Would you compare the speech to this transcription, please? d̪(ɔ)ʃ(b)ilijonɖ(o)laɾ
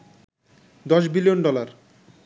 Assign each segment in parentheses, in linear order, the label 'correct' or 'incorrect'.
correct, correct, incorrect: ɔ

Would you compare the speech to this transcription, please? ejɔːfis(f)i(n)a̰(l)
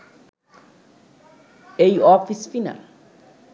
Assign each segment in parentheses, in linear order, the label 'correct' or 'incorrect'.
correct, correct, correct

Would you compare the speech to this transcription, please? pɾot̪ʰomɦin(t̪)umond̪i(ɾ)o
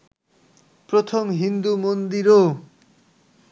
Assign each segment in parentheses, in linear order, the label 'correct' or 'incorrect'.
incorrect: d̪, correct

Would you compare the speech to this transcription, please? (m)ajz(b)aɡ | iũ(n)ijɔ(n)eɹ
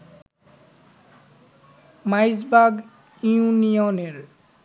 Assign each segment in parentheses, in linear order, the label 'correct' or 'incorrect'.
correct, correct, correct, correct

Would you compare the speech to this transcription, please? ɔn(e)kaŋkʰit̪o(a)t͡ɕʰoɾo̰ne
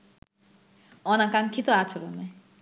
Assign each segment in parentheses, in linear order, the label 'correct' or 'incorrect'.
incorrect: a, correct

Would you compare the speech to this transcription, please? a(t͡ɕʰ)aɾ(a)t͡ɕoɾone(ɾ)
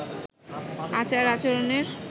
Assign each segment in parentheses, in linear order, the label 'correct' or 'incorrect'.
incorrect: t͡ɕ, correct, correct

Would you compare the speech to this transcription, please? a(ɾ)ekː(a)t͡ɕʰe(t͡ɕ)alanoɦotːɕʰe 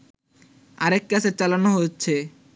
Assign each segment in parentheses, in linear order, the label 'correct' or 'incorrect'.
correct, correct, correct

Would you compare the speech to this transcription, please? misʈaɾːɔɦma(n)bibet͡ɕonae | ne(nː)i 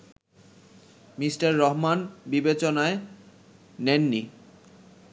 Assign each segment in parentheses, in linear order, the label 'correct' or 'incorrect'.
correct, correct

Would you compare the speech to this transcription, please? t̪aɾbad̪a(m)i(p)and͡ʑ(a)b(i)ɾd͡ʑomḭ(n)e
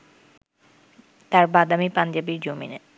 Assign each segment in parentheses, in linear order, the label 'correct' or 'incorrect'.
correct, correct, correct, correct, correct

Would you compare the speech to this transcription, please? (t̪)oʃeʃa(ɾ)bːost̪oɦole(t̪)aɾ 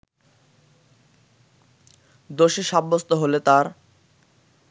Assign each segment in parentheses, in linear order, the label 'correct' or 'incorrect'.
incorrect: d̪, incorrect: none, correct

